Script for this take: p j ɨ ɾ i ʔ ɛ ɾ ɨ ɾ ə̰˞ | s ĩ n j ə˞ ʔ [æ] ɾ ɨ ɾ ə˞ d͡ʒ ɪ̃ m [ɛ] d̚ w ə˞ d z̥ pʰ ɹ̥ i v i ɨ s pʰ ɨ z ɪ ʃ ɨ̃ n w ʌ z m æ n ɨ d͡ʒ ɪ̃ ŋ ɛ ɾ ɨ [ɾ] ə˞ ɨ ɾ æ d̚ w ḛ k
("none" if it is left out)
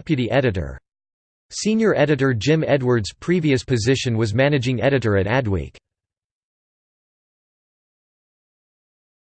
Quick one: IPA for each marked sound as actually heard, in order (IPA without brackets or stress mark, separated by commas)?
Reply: ɛ, ɛ, ɾ